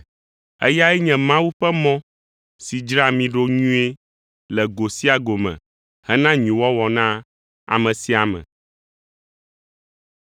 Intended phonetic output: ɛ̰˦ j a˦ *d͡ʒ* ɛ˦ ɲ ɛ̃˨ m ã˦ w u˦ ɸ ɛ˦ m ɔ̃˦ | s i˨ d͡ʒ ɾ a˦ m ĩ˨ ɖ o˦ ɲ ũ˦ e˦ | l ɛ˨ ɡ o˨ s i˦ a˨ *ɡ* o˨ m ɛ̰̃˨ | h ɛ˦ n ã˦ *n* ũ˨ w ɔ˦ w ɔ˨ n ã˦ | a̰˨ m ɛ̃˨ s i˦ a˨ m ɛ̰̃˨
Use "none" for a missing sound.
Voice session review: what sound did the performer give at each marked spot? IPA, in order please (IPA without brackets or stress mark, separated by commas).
none, ɡ, ɲ